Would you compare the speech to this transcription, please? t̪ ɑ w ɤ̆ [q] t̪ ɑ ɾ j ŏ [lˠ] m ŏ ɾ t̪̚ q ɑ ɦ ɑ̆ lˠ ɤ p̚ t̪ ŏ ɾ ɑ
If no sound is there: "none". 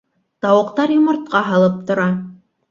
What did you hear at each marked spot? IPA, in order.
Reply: q, none

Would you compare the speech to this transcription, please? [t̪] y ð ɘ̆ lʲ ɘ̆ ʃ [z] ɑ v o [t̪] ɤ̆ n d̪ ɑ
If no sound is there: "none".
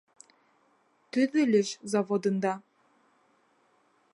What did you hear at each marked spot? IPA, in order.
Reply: t̪, z, d̪

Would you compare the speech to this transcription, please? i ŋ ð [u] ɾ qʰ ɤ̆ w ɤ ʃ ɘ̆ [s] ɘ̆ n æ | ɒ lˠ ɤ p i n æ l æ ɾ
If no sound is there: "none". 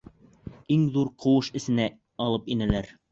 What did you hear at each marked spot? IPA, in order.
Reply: u, s

